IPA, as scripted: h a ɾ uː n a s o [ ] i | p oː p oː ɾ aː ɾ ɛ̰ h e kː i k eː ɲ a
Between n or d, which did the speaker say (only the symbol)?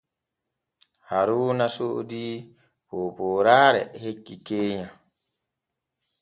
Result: d